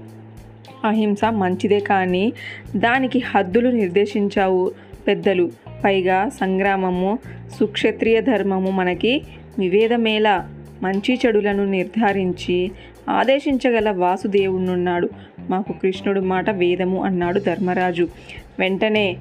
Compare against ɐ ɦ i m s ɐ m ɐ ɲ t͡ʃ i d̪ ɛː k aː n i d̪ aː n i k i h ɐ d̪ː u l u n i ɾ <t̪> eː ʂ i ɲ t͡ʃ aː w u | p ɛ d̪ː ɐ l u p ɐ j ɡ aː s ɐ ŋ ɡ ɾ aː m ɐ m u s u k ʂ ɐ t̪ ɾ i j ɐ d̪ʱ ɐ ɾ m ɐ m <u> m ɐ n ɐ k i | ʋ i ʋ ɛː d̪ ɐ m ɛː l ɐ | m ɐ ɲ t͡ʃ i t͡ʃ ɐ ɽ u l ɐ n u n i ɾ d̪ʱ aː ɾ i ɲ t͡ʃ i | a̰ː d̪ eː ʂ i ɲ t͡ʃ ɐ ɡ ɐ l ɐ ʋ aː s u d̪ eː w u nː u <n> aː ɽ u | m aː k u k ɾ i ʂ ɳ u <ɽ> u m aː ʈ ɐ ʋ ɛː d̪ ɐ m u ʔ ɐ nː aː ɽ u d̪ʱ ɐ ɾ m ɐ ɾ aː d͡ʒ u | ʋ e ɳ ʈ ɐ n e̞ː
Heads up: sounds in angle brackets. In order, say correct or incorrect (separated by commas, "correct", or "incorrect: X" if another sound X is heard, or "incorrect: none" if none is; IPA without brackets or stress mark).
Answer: incorrect: d̪, correct, incorrect: nː, correct